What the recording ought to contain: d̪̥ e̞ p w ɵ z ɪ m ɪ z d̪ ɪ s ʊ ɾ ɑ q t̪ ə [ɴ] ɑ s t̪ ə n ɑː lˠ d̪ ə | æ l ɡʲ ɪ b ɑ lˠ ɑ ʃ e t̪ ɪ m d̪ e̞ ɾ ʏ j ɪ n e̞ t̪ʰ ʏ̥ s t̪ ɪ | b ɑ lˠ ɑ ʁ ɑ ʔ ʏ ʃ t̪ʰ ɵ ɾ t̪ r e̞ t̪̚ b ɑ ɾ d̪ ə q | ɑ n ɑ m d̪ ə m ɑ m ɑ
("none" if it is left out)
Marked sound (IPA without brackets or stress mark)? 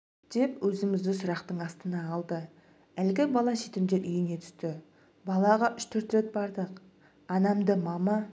ɴ